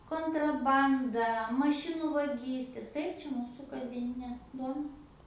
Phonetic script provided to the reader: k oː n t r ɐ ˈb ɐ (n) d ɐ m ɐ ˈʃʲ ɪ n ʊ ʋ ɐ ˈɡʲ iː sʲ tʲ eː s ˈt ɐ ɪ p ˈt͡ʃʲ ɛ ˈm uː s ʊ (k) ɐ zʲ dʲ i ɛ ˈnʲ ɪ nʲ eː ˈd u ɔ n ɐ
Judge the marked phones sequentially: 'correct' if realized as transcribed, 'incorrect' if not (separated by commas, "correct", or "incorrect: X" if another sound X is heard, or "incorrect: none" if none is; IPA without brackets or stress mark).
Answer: correct, correct